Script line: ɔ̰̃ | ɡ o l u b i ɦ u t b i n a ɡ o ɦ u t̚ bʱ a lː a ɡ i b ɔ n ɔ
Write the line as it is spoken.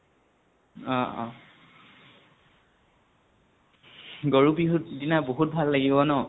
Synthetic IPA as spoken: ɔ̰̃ | ɡ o ɹ u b i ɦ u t d i n a b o ɦ u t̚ bʱ a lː a ɡ i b ɔ n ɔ